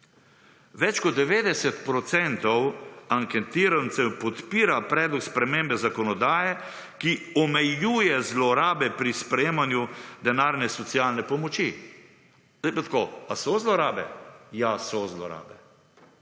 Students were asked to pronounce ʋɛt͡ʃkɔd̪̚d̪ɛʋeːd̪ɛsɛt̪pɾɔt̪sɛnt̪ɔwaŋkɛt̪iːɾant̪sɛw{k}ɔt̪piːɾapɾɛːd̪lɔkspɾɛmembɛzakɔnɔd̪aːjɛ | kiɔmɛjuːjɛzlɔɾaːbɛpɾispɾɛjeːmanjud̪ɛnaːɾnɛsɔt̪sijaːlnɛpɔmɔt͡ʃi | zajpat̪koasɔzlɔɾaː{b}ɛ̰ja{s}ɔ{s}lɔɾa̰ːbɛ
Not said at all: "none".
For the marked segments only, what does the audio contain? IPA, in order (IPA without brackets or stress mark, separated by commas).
p, b, s, z